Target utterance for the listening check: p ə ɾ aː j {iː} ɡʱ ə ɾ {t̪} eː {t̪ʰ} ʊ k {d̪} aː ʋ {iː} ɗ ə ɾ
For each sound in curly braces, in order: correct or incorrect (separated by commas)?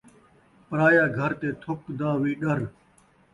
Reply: incorrect, correct, correct, correct, correct